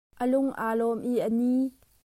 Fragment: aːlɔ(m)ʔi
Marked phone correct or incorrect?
correct